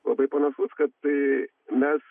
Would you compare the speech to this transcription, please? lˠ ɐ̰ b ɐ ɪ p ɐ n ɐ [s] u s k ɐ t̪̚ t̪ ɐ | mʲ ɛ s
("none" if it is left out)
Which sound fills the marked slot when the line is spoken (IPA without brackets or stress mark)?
s